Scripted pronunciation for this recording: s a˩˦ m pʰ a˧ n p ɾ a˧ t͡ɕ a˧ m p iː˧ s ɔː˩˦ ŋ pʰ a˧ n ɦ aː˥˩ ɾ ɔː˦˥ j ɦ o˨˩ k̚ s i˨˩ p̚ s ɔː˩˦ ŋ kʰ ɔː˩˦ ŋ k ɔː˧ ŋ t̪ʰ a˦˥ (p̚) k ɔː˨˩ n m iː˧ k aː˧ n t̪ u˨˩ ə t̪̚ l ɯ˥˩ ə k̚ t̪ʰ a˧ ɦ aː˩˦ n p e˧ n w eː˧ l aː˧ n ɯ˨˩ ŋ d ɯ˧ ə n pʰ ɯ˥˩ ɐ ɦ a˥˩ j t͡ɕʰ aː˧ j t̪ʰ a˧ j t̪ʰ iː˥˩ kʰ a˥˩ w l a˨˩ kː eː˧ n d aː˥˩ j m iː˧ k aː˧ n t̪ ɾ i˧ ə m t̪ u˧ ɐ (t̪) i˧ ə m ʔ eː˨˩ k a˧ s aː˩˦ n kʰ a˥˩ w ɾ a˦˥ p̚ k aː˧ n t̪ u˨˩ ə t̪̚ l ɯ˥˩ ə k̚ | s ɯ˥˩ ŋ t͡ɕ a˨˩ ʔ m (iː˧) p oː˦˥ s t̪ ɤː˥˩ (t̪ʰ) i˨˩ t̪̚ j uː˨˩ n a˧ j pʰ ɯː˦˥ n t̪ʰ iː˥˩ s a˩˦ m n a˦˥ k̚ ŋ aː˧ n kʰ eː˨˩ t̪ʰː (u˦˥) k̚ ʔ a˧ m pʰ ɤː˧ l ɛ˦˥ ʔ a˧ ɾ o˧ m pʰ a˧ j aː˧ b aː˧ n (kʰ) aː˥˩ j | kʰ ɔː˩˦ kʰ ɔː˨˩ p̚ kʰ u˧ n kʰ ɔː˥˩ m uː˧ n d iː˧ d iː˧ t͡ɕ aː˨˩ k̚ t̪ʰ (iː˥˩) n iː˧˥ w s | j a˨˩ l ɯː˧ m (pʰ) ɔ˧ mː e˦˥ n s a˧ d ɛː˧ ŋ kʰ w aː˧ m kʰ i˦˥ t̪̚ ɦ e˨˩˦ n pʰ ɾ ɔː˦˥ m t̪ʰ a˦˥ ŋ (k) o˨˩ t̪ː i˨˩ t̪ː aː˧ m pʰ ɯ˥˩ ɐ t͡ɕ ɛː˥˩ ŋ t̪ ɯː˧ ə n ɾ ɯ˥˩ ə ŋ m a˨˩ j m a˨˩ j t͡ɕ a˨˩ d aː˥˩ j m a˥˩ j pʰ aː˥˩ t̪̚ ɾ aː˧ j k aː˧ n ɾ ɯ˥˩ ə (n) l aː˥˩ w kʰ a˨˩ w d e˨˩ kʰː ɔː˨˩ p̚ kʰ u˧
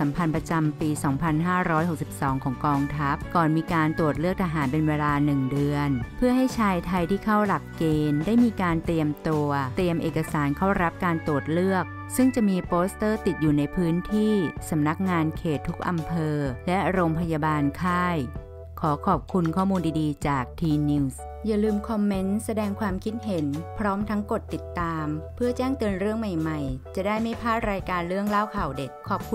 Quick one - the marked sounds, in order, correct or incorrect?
correct, correct, correct, incorrect, correct, correct, incorrect, incorrect, correct, incorrect

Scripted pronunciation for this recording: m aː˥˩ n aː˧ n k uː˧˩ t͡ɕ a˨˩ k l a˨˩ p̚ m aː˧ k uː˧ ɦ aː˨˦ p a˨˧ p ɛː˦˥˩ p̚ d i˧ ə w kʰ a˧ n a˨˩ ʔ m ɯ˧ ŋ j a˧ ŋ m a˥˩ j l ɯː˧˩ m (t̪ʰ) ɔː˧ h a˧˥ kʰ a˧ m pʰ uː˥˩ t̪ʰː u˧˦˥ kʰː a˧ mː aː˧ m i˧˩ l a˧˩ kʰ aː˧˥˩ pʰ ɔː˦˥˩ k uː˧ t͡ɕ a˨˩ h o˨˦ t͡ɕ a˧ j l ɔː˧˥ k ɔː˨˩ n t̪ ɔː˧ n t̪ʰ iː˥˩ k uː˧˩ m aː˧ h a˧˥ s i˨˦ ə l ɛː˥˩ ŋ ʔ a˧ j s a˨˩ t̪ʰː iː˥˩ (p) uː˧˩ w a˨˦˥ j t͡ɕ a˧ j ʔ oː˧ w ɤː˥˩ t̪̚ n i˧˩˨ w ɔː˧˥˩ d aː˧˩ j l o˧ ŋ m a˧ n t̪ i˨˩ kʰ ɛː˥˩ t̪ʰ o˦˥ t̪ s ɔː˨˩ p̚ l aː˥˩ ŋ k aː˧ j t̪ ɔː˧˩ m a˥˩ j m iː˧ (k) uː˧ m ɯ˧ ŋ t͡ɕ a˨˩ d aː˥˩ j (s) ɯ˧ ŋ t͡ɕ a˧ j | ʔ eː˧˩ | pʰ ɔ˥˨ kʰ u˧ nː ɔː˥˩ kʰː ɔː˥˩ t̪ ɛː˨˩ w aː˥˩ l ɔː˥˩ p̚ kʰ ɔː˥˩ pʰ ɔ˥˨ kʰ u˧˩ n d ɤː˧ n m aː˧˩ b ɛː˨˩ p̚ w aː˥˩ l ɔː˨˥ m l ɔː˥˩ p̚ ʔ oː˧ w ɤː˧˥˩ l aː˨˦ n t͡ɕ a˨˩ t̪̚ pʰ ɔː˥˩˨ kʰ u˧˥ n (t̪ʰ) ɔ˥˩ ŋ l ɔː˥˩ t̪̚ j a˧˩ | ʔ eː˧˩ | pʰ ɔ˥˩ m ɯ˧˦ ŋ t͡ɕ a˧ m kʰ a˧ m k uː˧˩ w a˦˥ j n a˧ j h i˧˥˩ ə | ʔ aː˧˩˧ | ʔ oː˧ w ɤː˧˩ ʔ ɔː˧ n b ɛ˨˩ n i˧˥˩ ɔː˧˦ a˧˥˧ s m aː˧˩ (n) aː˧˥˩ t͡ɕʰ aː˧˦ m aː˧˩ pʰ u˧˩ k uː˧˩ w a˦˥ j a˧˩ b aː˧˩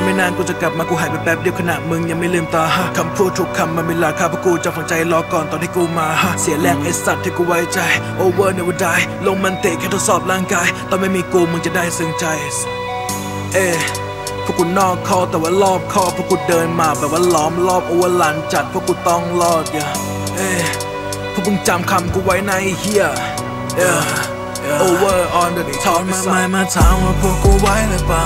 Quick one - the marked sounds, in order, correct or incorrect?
incorrect, incorrect, correct, correct, incorrect, incorrect

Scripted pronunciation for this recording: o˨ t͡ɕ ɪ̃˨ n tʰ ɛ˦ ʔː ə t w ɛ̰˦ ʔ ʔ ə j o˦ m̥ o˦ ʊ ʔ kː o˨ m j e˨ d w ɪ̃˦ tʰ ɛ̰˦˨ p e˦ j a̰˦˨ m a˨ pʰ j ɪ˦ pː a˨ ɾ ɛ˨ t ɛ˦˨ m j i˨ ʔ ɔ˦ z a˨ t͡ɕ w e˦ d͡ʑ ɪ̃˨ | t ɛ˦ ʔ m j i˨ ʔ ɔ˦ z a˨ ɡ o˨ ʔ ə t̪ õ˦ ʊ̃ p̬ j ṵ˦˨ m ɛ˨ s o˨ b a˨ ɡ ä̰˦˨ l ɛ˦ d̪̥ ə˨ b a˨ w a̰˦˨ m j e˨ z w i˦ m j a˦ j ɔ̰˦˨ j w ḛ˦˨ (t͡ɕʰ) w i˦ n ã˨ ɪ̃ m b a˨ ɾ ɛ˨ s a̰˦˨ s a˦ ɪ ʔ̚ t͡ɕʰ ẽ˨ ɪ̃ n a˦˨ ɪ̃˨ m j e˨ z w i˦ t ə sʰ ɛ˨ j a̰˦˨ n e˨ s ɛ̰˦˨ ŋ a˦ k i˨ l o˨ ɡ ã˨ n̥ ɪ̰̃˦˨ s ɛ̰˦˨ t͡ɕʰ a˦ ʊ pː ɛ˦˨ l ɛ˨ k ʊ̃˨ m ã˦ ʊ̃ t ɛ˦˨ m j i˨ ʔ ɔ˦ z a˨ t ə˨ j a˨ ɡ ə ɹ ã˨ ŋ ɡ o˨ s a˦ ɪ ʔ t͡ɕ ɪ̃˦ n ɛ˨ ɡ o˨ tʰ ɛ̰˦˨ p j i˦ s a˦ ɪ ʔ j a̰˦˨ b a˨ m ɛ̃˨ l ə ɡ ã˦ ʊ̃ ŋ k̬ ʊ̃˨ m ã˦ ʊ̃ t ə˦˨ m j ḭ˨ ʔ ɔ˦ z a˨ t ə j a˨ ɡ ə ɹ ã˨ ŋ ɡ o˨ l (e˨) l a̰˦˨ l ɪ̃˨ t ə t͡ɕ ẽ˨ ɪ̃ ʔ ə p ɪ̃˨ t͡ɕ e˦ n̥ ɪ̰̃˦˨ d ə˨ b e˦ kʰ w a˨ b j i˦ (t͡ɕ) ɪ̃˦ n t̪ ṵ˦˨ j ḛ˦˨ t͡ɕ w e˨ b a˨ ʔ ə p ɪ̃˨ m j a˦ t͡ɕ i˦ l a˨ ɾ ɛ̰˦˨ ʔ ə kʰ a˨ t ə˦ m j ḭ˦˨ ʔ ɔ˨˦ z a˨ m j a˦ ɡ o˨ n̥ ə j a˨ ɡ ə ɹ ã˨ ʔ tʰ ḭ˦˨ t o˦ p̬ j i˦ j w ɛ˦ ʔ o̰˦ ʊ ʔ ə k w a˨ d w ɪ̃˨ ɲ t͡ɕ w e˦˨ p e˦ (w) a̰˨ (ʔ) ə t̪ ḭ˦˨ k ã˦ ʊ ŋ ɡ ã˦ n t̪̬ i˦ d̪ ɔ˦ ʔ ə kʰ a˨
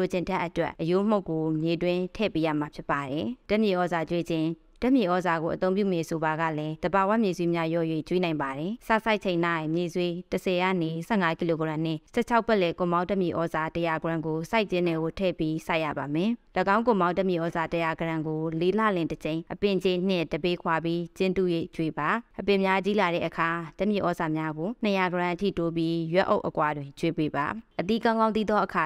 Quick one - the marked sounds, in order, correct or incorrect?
incorrect, incorrect, correct, incorrect, correct

